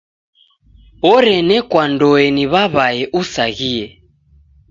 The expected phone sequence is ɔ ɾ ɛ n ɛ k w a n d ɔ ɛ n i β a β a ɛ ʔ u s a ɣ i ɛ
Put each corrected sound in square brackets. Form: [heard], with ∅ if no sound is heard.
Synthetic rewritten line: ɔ ɾ ɛ n ɛ k w a n d ɔ ɛ n i β a β a ɛ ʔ u s a ɣ i ɛ